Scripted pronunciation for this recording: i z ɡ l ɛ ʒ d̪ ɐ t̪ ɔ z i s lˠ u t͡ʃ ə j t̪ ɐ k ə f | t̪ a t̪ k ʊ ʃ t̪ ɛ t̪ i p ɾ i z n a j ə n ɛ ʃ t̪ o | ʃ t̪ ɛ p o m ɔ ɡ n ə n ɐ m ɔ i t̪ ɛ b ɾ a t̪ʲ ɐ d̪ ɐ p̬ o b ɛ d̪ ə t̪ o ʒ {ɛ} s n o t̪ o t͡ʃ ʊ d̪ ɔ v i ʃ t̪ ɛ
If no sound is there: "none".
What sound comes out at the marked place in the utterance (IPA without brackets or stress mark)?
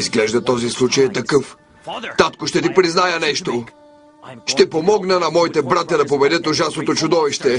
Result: a